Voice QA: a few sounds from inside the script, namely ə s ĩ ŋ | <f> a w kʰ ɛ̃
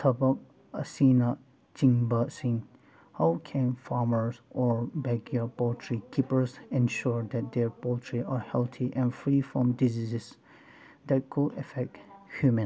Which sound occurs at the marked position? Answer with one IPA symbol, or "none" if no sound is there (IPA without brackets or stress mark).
h